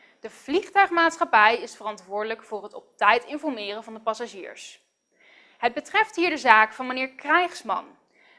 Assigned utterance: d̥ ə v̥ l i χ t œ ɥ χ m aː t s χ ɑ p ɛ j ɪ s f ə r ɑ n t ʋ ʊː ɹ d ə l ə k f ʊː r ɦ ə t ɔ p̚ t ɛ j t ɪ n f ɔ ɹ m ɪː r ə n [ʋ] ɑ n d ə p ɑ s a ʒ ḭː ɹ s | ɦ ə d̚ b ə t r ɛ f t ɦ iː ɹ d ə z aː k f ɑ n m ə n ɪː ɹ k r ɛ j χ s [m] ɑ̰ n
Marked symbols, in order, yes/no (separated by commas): no, yes